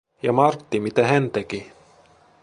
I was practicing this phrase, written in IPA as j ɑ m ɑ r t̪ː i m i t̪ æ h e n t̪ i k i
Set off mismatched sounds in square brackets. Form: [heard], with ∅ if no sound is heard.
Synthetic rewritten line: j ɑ m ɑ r t̪ː i m i t̪ æ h [æ] n t̪ [e] k i